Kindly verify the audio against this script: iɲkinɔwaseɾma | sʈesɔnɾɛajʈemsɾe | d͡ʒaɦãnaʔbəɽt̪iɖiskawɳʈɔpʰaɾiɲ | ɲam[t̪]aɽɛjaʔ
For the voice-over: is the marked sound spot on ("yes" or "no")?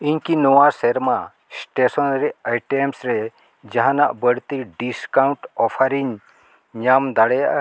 no